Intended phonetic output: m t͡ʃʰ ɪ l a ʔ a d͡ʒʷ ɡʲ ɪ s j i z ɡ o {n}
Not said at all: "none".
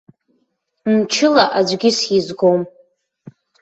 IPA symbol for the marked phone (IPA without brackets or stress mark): m